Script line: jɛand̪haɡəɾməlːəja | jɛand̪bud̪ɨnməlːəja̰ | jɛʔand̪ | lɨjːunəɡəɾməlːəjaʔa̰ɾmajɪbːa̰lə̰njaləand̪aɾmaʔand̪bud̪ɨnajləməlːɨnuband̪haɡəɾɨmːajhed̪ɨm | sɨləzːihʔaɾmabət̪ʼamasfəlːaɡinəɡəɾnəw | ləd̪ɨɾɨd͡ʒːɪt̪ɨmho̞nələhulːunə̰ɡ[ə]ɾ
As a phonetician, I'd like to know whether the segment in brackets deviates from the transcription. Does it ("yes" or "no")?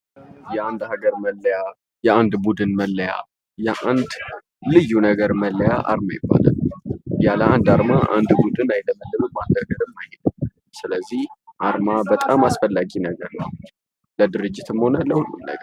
no